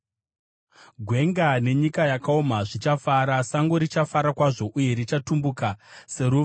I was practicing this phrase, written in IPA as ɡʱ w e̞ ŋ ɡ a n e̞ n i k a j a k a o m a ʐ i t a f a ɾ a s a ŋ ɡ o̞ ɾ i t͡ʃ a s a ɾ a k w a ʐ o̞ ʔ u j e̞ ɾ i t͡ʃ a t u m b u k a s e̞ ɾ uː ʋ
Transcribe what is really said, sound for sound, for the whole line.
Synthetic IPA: ɡʱ w e̞ ŋ ɡ a n e̞ ɲ i k a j a k a o m a ʐ i t͡ʃ a f a ɾ a s a ŋ ɡ o̞ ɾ i t͡ʃ a f a ɾ a k w a ʐ o̞ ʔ u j e̞ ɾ i t͡ʃ a t u m b u k a s e̞ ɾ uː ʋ